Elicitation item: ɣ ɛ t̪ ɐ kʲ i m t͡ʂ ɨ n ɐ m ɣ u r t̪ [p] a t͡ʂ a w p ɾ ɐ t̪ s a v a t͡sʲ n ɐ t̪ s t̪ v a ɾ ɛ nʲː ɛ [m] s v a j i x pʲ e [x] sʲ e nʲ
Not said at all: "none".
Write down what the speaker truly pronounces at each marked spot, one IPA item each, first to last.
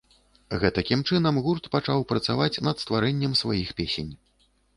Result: p, m, none

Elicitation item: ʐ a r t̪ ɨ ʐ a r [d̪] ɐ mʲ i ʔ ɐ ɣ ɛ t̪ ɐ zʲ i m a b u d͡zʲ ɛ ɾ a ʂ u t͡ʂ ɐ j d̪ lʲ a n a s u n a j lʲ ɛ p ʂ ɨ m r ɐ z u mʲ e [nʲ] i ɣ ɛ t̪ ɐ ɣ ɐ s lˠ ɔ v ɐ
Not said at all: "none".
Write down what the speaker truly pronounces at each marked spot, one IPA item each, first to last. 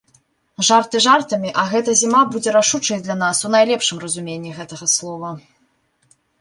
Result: t̪, nʲː

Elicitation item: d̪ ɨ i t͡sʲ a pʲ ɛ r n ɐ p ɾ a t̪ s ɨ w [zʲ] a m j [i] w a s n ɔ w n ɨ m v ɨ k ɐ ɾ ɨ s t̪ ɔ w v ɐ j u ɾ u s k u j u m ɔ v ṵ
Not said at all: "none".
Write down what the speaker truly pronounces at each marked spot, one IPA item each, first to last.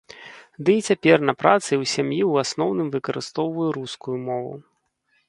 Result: sʲ, i

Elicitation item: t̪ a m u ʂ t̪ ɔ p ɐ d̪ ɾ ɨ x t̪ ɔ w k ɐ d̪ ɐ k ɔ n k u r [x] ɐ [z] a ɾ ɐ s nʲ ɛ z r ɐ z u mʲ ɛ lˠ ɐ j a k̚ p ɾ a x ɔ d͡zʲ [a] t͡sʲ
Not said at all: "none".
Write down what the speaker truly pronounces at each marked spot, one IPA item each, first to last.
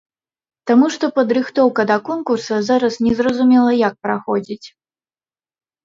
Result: s, z, i

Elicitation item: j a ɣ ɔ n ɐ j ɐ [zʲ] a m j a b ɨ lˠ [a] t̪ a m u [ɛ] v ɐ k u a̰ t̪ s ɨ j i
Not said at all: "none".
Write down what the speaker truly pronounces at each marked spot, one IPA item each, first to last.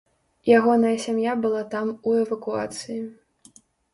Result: sʲ, a, ɛ

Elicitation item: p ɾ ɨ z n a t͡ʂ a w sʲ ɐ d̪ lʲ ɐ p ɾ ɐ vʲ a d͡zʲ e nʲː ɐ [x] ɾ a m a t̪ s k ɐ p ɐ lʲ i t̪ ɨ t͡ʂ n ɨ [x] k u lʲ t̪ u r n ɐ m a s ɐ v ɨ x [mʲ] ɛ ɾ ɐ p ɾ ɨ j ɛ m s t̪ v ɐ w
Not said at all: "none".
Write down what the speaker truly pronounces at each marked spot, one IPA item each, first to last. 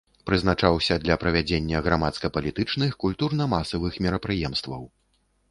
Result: ɣ, x, mʲ

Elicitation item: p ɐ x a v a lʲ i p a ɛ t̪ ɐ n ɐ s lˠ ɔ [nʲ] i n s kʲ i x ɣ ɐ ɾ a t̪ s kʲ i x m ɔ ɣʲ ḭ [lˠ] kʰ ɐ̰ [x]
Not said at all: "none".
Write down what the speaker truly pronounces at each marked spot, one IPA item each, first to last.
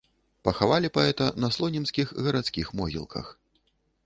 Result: nʲ, lˠ, x

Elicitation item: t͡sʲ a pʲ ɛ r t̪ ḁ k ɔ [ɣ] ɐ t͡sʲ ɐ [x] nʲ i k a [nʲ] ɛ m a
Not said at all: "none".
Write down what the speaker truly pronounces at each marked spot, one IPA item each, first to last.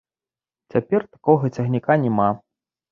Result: ɣ, ɣ, nʲ

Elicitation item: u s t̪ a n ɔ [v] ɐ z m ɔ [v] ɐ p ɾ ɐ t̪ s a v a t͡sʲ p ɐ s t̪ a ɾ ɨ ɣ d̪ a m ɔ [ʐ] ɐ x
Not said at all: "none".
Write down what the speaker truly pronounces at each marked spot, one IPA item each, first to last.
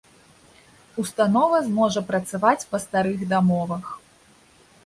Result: v, ʐ, v

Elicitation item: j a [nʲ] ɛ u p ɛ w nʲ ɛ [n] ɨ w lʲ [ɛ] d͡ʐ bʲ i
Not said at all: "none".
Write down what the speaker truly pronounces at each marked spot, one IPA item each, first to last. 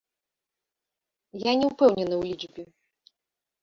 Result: nʲ, n, i

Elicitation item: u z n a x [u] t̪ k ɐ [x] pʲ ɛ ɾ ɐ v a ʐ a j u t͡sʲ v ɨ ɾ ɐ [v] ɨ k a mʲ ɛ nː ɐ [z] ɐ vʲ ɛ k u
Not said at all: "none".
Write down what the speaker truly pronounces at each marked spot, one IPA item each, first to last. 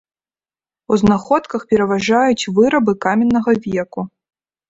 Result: ɔ, x, b, ɣ

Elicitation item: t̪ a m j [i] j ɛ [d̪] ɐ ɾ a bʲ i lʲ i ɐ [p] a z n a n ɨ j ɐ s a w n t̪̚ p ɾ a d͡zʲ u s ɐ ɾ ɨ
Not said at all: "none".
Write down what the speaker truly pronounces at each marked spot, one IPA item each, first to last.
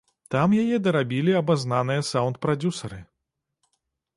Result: a, d̪, b

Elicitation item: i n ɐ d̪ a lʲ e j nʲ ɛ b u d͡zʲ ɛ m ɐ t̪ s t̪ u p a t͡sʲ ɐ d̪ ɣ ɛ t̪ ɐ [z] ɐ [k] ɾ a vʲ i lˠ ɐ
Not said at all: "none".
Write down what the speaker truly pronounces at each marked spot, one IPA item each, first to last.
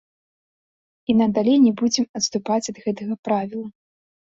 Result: ɣ, p

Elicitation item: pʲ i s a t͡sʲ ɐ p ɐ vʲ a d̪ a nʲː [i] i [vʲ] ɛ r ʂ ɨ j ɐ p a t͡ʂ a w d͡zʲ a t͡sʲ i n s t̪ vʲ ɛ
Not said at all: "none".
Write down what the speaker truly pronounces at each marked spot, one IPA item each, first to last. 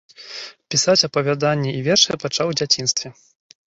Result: ɛ, vʲ

